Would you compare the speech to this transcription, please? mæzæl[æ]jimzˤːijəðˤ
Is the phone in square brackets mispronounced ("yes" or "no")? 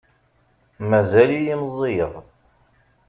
yes